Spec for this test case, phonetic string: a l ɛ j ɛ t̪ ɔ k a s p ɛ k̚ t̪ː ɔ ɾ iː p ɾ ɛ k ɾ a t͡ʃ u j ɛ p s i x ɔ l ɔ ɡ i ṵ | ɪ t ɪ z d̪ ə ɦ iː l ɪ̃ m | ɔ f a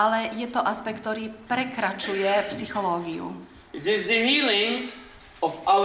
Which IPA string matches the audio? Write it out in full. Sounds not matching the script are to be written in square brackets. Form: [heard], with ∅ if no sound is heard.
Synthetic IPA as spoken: a l ɛ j ɛ t̪ ɔ [ʔ] a s p ɛ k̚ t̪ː ɔ ɾ iː p ɾ ɛ k ɾ a t͡ʃ u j ɛ p s i x ɔ l [ɔː] ɡ i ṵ | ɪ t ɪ z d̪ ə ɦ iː l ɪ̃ [ŋ] | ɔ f a